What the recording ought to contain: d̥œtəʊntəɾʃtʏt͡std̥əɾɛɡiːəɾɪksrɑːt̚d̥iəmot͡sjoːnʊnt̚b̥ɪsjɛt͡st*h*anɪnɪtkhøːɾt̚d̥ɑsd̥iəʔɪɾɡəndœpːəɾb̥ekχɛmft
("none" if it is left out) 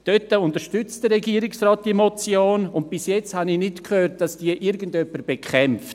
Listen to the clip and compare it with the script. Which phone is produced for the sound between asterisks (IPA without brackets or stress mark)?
h